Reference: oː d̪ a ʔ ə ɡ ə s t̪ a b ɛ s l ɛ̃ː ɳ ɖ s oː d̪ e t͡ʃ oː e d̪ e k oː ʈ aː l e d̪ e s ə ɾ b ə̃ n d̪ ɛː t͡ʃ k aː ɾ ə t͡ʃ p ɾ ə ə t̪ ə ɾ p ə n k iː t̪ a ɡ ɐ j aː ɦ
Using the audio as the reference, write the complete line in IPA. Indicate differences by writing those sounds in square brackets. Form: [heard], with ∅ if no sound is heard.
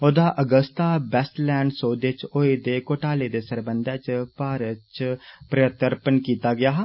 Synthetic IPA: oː d̪ a ʔ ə ɡ ə s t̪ a b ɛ s l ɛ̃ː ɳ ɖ s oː d̪ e t͡ʃ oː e d̪ e k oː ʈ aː l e d̪ e s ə ɾ b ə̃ n d̪ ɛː t͡ʃ [p] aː ɾ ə t͡ʃ p ɾ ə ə t̪ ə ɾ p ə n k iː t̪ a ɡ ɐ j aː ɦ